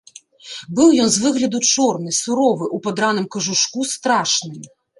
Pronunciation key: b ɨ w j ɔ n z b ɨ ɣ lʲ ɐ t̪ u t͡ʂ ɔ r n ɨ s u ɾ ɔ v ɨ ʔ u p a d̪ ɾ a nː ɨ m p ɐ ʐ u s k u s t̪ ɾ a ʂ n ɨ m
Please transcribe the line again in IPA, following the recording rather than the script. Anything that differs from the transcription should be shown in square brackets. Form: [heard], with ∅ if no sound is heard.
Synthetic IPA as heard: b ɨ w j ɔ n z [v] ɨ ɣ lʲ ɐ [d̪] u t͡ʂ ɔ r n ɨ s u ɾ ɔ v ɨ ʔ u p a d̪ ɾ a [n] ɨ m [k] ɐ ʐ u [ʂ] k u s t̪ ɾ a ʂ n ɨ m

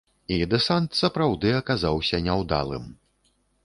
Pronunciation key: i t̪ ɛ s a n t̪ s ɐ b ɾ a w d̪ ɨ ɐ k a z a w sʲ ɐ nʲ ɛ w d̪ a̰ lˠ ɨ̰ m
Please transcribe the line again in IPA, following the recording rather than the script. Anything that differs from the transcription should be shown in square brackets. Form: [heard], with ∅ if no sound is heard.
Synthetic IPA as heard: i [d̪] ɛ s a n t̪ s ɐ [p] ɾ a w d̪ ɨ ɐ k a z a w sʲ ɐ nʲ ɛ w d̪ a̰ lˠ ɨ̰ m

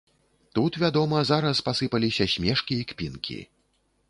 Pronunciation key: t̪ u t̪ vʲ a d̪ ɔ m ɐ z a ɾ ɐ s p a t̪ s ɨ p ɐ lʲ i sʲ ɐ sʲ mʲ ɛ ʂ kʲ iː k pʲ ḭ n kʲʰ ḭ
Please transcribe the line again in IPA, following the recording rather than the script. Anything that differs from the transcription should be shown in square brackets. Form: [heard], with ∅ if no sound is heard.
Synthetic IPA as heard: t̪ u t̪ vʲ a d̪ ɔ m ɐ z a ɾ ɐ s p a [∅] s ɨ p ɐ lʲ i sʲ ɐ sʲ mʲ ɛ ʂ kʲ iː k pʲ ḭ n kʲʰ ḭ

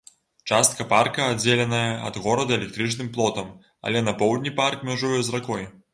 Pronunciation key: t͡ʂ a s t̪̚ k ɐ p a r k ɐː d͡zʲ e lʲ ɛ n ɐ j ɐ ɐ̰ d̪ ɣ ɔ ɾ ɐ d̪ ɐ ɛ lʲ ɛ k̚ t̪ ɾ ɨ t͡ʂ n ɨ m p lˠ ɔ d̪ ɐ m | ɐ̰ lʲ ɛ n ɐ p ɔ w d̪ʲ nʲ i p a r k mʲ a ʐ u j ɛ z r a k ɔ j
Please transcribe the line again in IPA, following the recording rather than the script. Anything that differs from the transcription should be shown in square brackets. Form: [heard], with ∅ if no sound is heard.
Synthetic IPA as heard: t͡ʂ a s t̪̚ k ɐ p a r k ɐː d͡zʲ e lʲ ɛ n ɐ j ɐ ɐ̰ d̪ ɣ ɔ ɾ ɐ d̪ ɐ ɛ lʲ ɛ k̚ t̪ ɾ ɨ t͡ʂ n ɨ m p lˠ ɔ [t̪] ɐ m | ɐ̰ lʲ ɛ n ɐ p ɔ w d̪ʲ nʲ i p a r k mʲ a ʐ u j ɛ z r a k ɔ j

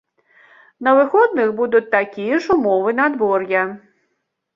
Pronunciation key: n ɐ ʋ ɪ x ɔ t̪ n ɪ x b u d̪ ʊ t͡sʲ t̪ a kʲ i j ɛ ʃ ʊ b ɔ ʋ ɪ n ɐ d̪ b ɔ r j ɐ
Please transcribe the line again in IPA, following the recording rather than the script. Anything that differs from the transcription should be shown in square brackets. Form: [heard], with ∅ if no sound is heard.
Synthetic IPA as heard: n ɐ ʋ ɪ x ɔ [d̪] n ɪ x b u d̪ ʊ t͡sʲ t̪ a kʲ i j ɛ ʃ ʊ [m] ɔ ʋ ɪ n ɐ d̪ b ɔ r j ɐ

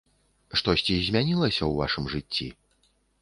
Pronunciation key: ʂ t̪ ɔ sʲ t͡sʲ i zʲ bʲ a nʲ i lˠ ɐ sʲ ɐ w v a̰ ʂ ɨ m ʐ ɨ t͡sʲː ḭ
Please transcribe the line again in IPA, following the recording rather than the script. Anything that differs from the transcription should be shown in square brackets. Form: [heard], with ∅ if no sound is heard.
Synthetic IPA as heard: ʂ t̪ ɔ sʲ t͡sʲ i zʲ [mʲ] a nʲ i lˠ ɐ sʲ ɐ w v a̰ ʂ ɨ m ʐ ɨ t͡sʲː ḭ

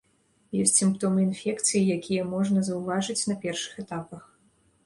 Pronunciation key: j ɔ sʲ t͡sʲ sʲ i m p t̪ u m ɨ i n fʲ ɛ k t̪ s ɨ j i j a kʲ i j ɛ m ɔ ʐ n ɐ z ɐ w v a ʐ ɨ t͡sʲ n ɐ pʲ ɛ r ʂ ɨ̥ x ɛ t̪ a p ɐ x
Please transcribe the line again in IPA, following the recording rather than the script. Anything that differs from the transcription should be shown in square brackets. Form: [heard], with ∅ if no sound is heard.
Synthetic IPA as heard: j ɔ sʲ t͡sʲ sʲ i m p t̪ [ɔ] m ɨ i n fʲ ɛ k t̪ s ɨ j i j a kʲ i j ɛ m ɔ ʐ n ɐ z ɐ w v a ʐ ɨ t͡sʲ n ɐ pʲ ɛ r ʂ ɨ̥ x ɛ t̪ a p ɐ x

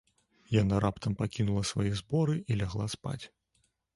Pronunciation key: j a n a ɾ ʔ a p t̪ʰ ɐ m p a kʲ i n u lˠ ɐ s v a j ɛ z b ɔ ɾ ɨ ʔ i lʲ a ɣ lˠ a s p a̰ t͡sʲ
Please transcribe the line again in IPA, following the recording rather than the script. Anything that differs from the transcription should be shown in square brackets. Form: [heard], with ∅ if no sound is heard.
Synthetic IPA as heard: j a n a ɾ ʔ a p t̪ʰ ɐ m p a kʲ i n u lˠ ɐ s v a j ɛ z b ɔ ɾ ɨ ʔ i lʲ a ɣ lˠ a s p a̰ t͡sʲ

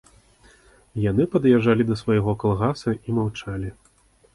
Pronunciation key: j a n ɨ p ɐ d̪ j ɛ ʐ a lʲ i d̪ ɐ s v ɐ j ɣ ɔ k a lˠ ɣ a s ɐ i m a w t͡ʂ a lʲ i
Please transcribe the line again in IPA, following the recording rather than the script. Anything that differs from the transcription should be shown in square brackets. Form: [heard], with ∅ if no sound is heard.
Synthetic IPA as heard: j a n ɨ p ɐ d̪ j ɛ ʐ a lʲ i d̪ ɐ s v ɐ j ɣ ɔ k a lˠ ɣ a s ɐ i m a w t͡ʂ a lʲ i

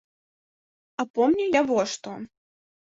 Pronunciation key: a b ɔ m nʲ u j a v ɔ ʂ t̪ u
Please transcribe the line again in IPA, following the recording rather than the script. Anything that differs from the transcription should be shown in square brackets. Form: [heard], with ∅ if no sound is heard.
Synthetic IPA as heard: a [p] ɔ m nʲ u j a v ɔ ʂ t̪ [ɔ]

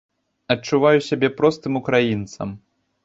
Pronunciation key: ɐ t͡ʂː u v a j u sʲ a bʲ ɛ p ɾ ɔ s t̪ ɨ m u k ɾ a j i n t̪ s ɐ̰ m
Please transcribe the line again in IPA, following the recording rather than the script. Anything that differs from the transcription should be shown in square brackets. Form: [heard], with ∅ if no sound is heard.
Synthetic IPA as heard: ɐ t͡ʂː u v a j u sʲ a bʲ ɛ p ɾ ɔ s t̪ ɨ m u k ɾ a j i n t̪ s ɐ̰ m

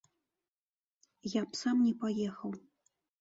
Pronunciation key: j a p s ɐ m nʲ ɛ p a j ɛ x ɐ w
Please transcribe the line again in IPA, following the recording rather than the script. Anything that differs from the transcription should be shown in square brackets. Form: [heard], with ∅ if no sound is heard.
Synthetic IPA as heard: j a p s [a] m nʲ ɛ p a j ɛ x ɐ w

